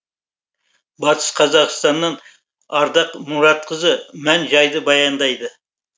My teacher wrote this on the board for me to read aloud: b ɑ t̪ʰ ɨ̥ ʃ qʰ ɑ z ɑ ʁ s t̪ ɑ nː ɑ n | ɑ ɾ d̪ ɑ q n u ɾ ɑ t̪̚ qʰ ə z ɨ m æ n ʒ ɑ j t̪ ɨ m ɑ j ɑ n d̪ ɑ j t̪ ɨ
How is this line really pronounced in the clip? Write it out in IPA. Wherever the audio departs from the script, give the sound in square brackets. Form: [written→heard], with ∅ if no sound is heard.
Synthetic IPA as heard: b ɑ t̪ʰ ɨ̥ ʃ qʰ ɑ z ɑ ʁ s t̪ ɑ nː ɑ n | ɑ ɾ d̪ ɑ q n u ɾ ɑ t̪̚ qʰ ə z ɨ m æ n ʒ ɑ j [t̪→d̪] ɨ [m→b] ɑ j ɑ n d̪ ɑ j [t̪→d̪] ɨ